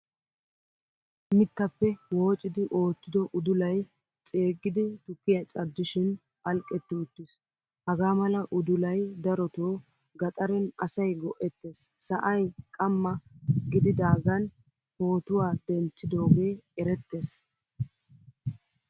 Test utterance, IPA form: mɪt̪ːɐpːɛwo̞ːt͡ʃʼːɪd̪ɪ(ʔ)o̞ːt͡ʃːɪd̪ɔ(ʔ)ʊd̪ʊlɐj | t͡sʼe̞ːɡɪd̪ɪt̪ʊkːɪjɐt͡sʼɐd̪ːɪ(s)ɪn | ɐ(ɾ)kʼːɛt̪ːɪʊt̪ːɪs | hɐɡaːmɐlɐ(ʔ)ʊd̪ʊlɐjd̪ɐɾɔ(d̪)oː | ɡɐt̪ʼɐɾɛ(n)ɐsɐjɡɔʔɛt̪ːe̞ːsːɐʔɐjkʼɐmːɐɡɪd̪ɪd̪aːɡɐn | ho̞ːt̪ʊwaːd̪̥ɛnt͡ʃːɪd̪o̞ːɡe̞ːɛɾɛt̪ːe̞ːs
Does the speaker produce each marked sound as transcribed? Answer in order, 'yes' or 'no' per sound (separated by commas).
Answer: yes, yes, no, no, yes, no, yes